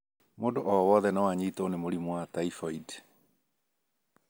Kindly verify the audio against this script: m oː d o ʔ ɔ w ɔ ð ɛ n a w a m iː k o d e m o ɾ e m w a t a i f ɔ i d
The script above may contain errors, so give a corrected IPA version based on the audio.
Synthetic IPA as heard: m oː d o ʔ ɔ w ɔ ð ɛ n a w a ɲ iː t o n e m o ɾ i m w a t a i f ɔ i d